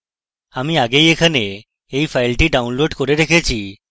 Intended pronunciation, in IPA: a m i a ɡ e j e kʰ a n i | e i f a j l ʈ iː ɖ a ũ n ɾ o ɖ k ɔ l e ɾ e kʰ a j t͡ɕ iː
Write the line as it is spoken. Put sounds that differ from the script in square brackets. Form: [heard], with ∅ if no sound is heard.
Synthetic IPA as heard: a m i a ɡ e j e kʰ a n [e] | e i f a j l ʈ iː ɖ a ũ n [l] o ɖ k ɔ [ɾ] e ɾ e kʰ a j t͡ɕ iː